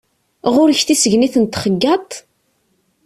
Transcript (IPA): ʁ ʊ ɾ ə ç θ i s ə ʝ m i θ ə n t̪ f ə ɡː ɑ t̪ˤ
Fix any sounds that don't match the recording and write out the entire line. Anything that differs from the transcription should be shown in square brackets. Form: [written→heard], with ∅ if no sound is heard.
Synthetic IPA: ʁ ʊ ɾ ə ç θ i s ə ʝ [m→n] i θ ə n t̪ [f→χ] ə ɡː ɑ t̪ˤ